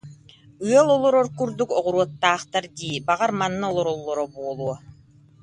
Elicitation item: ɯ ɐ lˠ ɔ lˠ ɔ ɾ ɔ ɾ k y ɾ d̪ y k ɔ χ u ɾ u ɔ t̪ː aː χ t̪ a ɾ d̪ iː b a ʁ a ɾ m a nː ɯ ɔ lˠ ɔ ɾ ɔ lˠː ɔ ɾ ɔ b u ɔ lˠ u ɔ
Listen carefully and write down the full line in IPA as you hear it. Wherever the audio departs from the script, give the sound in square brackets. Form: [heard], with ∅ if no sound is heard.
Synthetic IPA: ɯ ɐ lˠ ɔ lˠ ɔ ɾ ɔ ɾ k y ɾ d̪ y k ɔ [ʁ] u ɾ u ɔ t̪ː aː χ t̪ a ɾ d̪ iː b a ʁ a ɾ m a nː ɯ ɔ lˠ ɔ ɾ ɔ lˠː ɔ ɾ ɔ b u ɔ lˠ u ɔ